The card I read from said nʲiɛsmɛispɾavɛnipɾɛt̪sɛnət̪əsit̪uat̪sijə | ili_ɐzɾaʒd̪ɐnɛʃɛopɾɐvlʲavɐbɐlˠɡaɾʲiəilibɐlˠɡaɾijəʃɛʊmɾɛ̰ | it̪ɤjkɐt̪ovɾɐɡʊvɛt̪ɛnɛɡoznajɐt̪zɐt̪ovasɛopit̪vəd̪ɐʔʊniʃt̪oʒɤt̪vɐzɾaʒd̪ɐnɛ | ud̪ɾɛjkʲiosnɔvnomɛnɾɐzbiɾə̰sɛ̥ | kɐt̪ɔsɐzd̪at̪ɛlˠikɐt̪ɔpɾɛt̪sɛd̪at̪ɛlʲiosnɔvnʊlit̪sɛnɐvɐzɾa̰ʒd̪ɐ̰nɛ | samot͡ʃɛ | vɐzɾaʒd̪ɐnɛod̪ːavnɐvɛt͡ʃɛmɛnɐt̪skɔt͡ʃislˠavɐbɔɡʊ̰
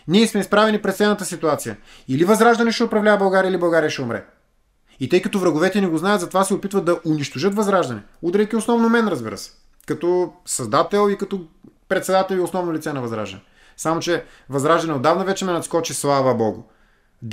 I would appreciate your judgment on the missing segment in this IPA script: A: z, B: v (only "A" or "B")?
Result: B